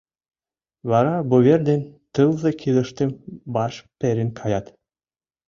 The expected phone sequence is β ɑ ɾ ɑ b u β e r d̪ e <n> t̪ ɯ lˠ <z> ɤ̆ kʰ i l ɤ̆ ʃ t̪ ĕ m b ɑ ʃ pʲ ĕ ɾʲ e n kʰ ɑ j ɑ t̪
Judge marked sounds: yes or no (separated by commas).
yes, yes